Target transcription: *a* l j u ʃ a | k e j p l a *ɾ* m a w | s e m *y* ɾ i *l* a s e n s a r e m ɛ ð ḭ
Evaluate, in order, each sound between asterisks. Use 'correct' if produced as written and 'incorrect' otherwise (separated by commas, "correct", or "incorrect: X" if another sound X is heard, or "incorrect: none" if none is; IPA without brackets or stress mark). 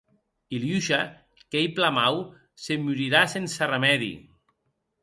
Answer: incorrect: i, incorrect: none, correct, incorrect: ɾ